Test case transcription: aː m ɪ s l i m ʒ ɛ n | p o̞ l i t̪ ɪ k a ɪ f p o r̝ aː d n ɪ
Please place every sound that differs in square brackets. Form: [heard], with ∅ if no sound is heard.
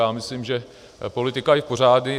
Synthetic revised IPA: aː m ɪ s l i m ʒ ɛ [∅] | p o̞ l [ɪ] t̪ ɪ k a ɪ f p o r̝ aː d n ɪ